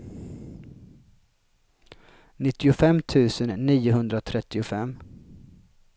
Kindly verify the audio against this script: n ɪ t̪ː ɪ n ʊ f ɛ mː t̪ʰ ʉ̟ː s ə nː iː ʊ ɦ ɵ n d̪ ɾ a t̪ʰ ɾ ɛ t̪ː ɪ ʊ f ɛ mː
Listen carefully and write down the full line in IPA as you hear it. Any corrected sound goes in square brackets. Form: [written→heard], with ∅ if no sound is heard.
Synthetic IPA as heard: n ɪ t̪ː ɪ [n→∅] ʊ f ɛ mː t̪ʰ ʉ̟ː s ə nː iː ʊ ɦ ɵ n d̪ ɾ a t̪ʰ ɾ ɛ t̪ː ɪ ʊ f ɛ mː

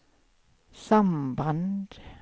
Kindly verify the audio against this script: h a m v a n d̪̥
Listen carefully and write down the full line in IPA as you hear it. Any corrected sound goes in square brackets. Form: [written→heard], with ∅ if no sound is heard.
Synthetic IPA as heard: [h→s] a m [v→b] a n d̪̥

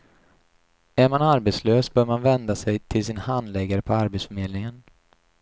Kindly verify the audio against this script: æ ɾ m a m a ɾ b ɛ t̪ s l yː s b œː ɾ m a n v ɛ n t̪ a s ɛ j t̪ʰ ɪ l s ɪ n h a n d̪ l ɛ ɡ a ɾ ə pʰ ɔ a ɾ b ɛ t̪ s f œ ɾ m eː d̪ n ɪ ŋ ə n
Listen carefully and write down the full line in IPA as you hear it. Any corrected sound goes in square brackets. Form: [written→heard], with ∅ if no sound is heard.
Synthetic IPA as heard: æ ɾ m a [m→n] a ɾ b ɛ t̪ s l [yː→øː] s b œː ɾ m a n v ɛ n [t̪→d̪] a s ɛ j t̪ʰ ɪ l s ɪ n h a n d̪ l ɛ ɡ a ɾ ə pʰ ɔ a ɾ b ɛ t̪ s f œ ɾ m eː d̪ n ɪ ŋ ə n

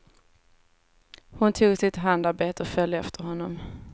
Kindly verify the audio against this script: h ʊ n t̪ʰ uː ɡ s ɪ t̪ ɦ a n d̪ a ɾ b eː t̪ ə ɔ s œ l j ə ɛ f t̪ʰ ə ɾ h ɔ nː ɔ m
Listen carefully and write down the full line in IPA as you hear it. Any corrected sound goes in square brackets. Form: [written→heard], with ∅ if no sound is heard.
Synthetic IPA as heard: h ʊ n t̪ʰ uː ɡ s ɪ t̪ ɦ a n d̪ a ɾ b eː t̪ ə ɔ [s→f] œ l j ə ɛ f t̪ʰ ə ɾ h ɔ nː ɔ m

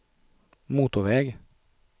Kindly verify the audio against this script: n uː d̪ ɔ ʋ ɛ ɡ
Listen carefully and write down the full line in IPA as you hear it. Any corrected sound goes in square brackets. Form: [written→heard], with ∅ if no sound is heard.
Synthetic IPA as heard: [n→m] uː [d̪→t̪] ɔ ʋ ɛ ɡ

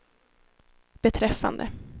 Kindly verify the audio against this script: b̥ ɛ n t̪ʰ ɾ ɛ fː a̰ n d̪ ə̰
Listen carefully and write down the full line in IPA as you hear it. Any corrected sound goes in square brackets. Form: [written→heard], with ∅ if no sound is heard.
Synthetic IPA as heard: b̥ ɛ [n→∅] t̪ʰ ɾ ɛ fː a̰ n d̪ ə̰

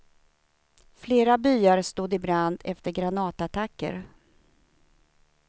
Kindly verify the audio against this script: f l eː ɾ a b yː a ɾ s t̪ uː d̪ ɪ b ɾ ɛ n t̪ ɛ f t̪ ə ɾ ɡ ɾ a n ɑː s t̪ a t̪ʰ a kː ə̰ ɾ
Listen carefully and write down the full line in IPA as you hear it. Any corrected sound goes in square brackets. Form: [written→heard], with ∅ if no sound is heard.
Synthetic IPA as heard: f l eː ɾ a b yː a ɾ s t̪ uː d̪ ɪ b ɾ [ɛ→a] n [t̪→d̪] ɛ f t̪ ə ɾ ɡ ɾ a n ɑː [s→∅] t̪ a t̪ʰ a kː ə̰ ɾ

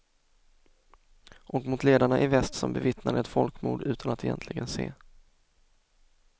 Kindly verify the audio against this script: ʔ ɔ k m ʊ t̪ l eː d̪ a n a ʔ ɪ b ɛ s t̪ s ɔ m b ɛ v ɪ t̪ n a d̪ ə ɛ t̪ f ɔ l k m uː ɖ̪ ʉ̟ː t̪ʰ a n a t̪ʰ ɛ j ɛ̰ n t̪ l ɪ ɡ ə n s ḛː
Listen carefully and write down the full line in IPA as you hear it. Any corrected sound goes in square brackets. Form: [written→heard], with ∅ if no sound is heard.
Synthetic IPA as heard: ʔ ɔ k m ʊ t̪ l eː d̪ a [n→ɳ] a ʔ ɪ [b→v] ɛ s t̪ s ɔ m b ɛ v ɪ t̪ n a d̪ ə ɛ t̪ f ɔ l k m uː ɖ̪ ʉ̟ː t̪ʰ a n a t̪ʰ ɛ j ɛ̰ n t̪ l ɪ ɡ ə n s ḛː

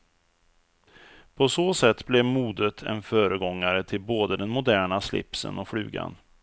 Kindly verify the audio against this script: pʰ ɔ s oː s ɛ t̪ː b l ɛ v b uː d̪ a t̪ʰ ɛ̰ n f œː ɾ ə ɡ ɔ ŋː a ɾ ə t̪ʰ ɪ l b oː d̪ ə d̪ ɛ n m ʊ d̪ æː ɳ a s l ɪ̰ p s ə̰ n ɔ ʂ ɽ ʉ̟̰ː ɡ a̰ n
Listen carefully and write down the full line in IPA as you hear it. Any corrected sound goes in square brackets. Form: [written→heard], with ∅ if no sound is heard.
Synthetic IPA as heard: pʰ ɔ s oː s ɛ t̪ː b l ɛ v [b→m] uː d̪ [a→ə] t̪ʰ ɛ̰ n f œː ɾ ə ɡ ɔ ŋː a ɾ ə t̪ʰ ɪ l b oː d̪ ə d̪ ɛ n m ʊ d̪ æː ɳ a s l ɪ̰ p s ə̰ n ɔ [ʂ→f] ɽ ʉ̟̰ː ɡ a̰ n

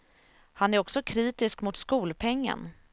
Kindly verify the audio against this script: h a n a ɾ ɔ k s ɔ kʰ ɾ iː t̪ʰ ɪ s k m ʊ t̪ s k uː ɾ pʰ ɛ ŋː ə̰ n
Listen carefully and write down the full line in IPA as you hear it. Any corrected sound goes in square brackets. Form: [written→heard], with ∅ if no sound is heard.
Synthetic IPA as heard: h a n [a→æ] ɾ ɔ k s ɔ kʰ ɾ iː [t̪ʰ→t̪] ɪ s k m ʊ t̪ s k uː [ɾ→l] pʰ ɛ ŋː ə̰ n

